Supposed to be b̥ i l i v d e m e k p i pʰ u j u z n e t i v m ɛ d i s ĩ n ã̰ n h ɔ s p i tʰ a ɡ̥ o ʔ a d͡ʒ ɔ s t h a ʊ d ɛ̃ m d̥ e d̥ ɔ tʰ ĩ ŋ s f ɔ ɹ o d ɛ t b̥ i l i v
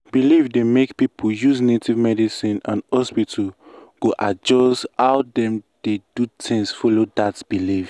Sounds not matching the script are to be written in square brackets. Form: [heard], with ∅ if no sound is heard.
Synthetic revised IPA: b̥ i l i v d e m e k p i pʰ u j u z n e t i v m ɛ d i s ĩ n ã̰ n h ɔ s p i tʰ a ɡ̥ o ʔ a d͡ʒ ɔ s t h a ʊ d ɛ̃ m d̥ e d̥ [u] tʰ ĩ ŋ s f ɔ [l] o d [a] t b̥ i l i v